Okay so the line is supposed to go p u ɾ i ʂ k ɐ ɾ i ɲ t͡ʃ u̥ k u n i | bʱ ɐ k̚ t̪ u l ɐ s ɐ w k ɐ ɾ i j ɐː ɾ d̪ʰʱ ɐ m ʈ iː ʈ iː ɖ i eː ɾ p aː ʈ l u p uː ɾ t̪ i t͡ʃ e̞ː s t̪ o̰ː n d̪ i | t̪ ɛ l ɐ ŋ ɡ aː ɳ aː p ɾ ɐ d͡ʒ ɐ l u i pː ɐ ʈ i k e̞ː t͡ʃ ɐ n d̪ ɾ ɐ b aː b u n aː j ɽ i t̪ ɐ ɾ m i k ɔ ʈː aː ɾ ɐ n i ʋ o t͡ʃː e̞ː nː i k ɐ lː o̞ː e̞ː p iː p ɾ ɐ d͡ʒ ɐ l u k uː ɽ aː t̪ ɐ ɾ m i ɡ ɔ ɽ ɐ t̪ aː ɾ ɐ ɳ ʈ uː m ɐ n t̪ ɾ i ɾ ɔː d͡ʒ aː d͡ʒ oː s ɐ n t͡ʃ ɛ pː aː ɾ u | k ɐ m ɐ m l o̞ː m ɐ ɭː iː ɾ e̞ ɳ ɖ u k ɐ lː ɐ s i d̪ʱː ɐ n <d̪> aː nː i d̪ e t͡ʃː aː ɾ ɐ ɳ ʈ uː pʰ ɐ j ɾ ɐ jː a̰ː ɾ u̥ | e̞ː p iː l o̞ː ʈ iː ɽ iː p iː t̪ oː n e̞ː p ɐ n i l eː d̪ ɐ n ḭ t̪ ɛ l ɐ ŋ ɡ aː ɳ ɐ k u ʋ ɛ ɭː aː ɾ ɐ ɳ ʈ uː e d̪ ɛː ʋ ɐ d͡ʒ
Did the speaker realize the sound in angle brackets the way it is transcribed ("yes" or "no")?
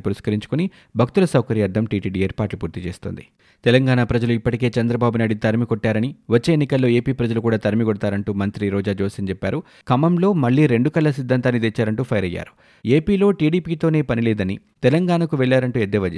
no